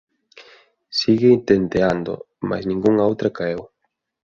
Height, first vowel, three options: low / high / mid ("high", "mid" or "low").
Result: high